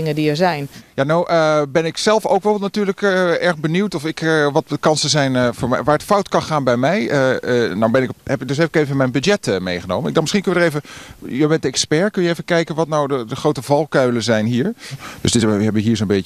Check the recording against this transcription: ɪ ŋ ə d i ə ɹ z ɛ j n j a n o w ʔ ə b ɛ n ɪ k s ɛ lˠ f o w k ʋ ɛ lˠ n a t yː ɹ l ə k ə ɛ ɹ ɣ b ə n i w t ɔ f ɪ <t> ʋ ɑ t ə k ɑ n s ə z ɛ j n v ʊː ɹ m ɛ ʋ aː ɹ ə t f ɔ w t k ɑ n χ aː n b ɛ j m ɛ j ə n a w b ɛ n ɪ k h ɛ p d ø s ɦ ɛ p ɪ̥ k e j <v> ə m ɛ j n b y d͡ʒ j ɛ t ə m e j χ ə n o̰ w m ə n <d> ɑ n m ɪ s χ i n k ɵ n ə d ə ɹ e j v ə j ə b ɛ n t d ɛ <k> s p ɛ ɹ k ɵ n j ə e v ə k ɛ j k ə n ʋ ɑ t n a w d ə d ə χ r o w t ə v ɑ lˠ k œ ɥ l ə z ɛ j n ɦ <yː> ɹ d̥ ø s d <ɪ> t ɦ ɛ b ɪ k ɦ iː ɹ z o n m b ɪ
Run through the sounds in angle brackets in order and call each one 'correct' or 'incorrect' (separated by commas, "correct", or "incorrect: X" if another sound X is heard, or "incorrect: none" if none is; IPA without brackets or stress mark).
incorrect: k, correct, correct, correct, incorrect: iː, correct